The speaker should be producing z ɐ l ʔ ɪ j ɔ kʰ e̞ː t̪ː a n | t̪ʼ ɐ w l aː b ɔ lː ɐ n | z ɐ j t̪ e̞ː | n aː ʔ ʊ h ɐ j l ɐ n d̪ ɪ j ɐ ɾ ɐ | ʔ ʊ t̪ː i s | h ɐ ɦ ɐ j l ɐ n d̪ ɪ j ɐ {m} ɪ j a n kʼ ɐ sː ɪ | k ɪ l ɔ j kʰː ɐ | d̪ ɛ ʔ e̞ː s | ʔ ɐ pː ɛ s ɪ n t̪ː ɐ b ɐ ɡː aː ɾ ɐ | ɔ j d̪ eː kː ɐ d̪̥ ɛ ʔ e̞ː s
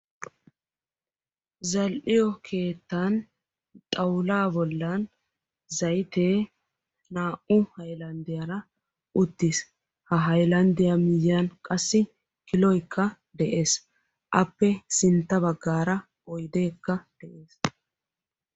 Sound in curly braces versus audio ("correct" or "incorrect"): correct